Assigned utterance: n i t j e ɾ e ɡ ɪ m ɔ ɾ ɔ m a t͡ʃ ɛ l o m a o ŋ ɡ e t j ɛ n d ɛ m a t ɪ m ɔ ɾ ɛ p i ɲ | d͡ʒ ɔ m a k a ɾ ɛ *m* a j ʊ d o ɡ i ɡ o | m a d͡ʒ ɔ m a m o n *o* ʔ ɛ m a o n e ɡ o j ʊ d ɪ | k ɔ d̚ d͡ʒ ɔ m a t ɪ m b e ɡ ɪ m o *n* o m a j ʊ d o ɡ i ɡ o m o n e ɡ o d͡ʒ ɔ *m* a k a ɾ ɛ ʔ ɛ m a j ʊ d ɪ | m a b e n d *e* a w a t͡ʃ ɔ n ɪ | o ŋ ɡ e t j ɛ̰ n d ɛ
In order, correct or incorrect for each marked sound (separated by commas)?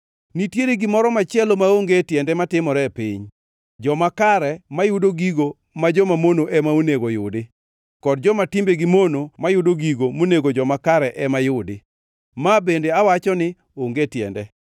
correct, correct, correct, correct, correct